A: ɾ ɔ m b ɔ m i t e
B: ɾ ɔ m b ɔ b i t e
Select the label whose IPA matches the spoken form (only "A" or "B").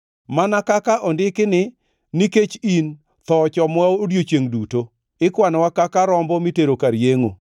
A